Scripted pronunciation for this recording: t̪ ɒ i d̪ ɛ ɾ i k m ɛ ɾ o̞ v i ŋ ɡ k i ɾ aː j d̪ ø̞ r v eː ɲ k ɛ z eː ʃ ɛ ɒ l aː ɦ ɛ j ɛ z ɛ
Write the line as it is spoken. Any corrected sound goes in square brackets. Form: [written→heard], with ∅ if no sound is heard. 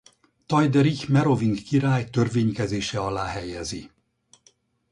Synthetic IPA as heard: t̪ ɒ [i→j] d̪ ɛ ɾ i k m ɛ ɾ o̞ v i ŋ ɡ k i ɾ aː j [d̪→t̪] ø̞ r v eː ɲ k ɛ z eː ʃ ɛ ɒ l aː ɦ ɛ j ɛ z [ɛ→i]